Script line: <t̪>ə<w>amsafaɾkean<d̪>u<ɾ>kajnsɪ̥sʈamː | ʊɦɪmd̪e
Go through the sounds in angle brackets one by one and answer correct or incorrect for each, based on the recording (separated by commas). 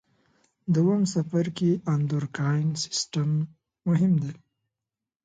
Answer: incorrect, correct, correct, correct